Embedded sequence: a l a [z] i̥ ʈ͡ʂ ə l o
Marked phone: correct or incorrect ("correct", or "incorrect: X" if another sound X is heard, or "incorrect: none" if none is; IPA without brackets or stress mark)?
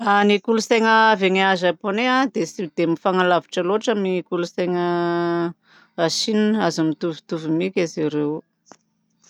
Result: incorrect: v